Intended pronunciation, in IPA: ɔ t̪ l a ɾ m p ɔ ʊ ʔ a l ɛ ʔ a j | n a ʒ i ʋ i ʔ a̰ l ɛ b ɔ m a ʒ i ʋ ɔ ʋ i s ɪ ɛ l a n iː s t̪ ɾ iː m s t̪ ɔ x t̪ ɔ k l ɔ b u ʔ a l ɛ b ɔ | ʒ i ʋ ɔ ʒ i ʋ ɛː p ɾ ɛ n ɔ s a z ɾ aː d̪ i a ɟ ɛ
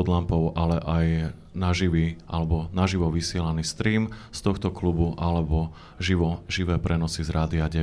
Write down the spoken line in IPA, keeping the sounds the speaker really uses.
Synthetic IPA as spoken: ɔ d̪ l a m p ɔ ʊ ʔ a l ɛ ʔ a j | n a ʒ i ʋ i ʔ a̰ l ɛ b ɔ n a ʒ i ʋ ɔ ʋ i s ɪ ɛ l a n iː s t̪ ɾ iː m s t̪ ɔ x t̪ ɔ k l u b u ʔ a l ɛ b ɔ | ʒ i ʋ ɔ ʒ i ʋ ɛː p ɾ ɛ n ɔ s i z ɾ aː d̪ i a ɟ ɛ